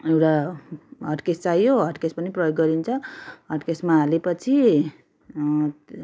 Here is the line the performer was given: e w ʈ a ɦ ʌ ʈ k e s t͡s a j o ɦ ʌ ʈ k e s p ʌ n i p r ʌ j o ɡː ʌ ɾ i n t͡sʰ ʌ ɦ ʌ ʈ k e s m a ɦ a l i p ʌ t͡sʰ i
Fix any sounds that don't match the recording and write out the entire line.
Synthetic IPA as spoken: e w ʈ a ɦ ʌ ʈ k e s t͡s a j o ɦ ʌ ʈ k e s p ʌ n i p r ʌ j o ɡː ʌ ɾ i n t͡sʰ ʌ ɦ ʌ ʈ k e s m a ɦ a l e p ʌ t͡sʰ i

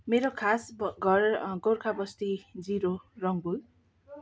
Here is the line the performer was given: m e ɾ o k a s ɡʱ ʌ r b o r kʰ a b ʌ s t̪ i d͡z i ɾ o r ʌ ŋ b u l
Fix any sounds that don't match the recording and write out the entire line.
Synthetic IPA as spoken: m e ɾ o kʰ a s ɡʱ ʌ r ɡ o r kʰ a b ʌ s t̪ i d͡z i ɾ o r ʌ ŋ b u l

